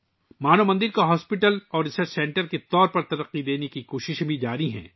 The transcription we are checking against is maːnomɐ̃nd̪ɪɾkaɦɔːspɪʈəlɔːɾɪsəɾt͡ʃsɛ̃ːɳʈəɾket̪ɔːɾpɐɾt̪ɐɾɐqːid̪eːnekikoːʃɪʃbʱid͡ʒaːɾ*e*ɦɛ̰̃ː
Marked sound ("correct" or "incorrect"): incorrect